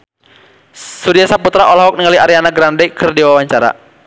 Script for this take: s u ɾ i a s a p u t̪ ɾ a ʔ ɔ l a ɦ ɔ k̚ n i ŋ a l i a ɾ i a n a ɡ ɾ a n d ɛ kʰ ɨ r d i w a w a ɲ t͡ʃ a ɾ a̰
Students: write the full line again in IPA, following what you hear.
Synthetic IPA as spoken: s u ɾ i a s a p u t̪ ɾ a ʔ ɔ l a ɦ ɔ k̚ n i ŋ a l i a ɾ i a n a ɡ ɾ a n d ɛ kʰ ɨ r d i w a w a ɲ t͡ʃ a ɾ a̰